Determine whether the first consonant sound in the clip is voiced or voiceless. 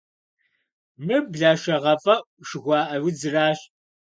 voiced